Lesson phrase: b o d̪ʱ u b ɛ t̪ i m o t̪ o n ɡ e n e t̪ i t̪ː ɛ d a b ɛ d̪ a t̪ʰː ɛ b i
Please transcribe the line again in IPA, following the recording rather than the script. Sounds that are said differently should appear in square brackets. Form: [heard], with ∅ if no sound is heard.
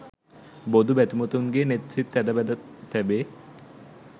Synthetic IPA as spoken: b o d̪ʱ u b ɛ t̪ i m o t̪ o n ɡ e n e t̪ i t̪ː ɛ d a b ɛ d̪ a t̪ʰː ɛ b [e]